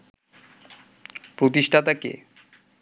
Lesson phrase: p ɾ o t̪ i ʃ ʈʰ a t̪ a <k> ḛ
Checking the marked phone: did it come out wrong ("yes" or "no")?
no